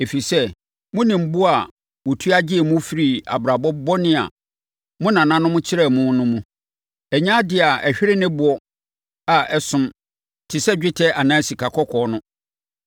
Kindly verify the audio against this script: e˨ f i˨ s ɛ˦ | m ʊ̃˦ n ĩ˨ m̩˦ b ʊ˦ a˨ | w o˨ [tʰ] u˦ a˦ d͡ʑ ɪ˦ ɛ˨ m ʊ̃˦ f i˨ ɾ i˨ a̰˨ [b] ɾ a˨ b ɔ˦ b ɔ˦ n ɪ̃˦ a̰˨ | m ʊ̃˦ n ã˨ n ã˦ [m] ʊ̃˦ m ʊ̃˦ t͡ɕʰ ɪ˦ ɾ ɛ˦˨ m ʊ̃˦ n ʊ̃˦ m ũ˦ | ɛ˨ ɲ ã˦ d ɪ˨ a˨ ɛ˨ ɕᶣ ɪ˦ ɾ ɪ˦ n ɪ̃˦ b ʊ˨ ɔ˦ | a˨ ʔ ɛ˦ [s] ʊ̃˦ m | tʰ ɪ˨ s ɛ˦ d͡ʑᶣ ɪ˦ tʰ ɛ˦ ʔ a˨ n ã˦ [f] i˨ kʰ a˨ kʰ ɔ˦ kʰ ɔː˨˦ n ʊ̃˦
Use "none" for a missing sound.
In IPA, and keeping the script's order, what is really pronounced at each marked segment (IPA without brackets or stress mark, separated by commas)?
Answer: tʰ, b, n, s, s